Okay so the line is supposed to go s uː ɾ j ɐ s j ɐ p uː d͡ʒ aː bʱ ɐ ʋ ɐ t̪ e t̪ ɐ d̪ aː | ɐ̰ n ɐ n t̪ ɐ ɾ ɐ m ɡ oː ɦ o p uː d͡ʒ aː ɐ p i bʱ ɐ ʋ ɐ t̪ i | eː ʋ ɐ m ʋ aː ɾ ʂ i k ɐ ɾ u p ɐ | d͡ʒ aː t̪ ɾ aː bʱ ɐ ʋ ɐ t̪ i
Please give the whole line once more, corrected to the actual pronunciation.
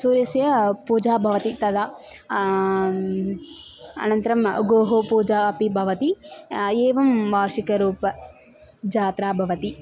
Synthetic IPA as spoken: s uː ɾ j ɐ s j ɐ p uː d͡ʒ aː bʱ ɐ ʋ ɐ t̪ i t̪ ɐ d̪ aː | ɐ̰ n ɐ n t̪ ɐ ɾ ɐ m ɡ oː ɦ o p uː d͡ʒ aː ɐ p i bʱ ɐ ʋ ɐ t̪ i | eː ʋ ɐ m ʋ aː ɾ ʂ i k ɐ ɾ uː p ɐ | d͡ʒ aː t̪ ɾ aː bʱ ɐ ʋ ɐ t̪ i